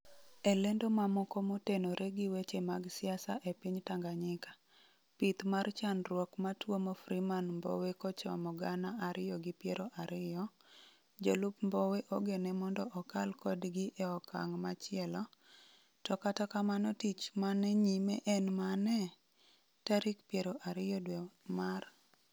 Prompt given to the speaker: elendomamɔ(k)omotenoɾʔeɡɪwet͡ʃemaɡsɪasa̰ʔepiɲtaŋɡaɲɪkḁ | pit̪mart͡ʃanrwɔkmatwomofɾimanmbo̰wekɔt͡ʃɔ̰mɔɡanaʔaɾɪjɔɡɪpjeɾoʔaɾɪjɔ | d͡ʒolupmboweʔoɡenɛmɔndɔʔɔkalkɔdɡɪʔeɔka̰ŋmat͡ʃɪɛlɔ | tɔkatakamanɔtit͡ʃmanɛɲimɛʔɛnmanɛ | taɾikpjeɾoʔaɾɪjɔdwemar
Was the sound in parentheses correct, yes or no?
yes